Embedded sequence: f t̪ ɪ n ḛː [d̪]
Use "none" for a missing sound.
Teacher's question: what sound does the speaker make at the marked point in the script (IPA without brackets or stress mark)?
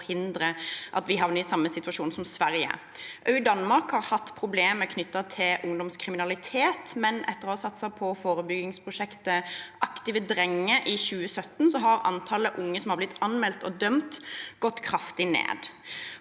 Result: d̪